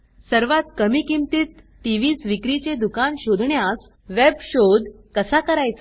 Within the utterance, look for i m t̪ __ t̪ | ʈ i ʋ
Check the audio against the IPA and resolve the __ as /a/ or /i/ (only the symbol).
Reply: i